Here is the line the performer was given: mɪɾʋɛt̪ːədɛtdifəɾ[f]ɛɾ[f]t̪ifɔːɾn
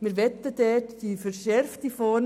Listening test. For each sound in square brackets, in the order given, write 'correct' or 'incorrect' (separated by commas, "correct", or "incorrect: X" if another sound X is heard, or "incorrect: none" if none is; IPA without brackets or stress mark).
incorrect: ʃ, correct